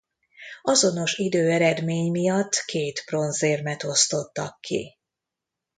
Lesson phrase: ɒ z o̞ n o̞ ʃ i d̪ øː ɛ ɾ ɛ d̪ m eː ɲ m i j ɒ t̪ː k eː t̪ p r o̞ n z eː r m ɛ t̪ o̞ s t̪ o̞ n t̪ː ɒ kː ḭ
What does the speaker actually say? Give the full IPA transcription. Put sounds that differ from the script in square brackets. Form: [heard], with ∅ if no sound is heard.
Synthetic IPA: ɒ z o̞ n o̞ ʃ i d̪ øː ɛ ɾ ɛ d̪ m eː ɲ m i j ɒ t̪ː k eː t̪ p r o̞ n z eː r m ɛ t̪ o̞ s t̪ o̞ [∅] t̪ː ɒ kː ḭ